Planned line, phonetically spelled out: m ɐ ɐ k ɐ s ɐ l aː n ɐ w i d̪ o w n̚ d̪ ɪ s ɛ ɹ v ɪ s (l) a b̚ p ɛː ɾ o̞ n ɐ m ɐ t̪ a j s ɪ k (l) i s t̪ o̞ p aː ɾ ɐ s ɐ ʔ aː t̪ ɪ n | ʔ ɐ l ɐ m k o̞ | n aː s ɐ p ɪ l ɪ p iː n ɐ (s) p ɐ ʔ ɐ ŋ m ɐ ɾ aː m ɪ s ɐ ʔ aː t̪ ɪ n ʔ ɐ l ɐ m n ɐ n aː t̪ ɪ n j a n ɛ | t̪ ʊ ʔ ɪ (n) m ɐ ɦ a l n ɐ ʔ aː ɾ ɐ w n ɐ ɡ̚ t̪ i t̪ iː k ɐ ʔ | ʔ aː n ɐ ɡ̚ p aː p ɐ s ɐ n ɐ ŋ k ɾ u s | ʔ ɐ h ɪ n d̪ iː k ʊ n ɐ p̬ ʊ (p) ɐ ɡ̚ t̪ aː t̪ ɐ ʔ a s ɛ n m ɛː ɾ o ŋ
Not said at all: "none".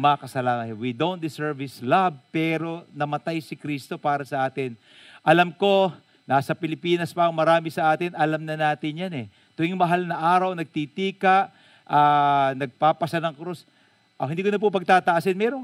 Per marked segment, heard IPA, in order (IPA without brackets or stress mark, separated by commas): l, ɾ, s, ŋ, p